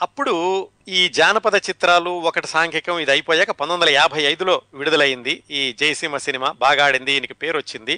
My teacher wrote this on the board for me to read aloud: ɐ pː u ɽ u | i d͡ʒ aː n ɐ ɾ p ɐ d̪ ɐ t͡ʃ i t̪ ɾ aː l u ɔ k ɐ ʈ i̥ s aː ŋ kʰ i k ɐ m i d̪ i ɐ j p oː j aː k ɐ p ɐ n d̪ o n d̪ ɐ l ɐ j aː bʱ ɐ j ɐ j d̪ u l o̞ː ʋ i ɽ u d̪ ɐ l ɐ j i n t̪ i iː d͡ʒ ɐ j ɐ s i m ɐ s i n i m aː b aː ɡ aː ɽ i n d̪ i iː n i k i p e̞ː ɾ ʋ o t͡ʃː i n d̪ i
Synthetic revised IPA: ɐ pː u ɽ u | iː d͡ʒ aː n ɐ p ɐ d̪ ɐ t͡ʃ i t̪ ɾ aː l u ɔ k ɐ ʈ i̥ s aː ŋ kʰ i k ɐ m i d̪ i ɐ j p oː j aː k ɐ p ɐ n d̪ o n d̪ ɐ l ɐ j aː bʱ ɐ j ɐ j d̪ u l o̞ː ʋ i ɽ u d̪ ɐ l ɐ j i n d̪ i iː d͡ʒ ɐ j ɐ s i m ɐ s i n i m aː b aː ɡ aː ɽ i n d̪ i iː n i k i p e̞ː ɾ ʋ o t͡ʃː i n d̪ i